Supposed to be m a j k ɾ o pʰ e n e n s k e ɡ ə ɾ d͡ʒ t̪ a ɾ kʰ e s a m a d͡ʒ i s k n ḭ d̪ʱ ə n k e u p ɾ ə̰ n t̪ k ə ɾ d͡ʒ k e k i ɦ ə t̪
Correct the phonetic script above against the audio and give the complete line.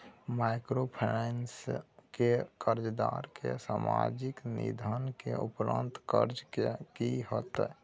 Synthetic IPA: m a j k ɾ o pʰ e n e n s k e k ə ɾ d͡ʒ d̪ a ɾ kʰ e s a m a d͡ʒ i k n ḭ d̪ʱ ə n k e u p ɾ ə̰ n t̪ k ə ɾ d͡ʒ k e k i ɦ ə t̪